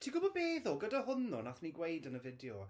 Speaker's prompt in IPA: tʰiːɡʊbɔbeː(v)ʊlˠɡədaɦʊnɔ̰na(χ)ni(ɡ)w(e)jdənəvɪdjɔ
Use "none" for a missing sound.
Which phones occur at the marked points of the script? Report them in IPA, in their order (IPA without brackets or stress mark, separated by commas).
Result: ð, θ, ɡ, e